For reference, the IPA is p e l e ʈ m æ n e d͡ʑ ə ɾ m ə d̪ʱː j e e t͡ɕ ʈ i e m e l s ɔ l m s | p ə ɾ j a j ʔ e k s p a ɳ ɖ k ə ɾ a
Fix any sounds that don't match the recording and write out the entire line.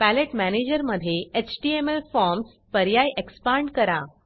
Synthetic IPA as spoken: p æ l e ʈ m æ n e d͡ʑ ə ɾ m ə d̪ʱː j e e t͡ɕ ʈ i e m e l f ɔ ɾ m s | p ə ɾ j a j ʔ e k s p a ɳ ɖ k ə ɾ a